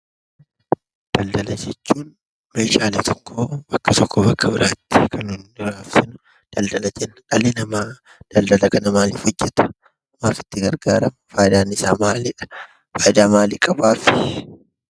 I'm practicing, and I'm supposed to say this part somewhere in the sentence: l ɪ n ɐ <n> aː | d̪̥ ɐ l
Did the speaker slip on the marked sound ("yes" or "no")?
yes